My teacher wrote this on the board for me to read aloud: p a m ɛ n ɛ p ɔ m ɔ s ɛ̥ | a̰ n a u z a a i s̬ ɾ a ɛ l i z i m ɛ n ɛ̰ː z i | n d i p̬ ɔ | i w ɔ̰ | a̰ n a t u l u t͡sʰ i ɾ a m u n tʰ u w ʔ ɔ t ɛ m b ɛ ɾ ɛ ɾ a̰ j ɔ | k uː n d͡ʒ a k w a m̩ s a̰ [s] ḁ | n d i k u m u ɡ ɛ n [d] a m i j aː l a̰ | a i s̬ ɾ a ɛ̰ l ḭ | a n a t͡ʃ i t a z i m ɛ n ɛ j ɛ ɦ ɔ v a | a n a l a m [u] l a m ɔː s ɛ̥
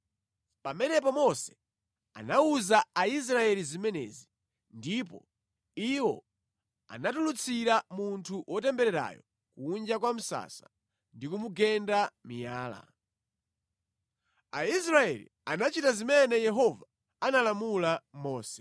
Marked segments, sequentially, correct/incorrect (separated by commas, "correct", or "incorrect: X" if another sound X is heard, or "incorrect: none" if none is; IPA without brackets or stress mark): correct, correct, correct